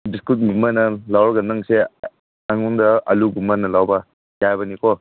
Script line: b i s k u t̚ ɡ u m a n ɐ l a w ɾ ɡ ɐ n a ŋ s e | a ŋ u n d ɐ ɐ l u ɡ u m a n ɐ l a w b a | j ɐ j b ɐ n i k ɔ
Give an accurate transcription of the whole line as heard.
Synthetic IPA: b i s k u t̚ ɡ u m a n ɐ l a w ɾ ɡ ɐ n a ŋ s e | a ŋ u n d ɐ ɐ l u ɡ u m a n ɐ l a w b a | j a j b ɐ n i k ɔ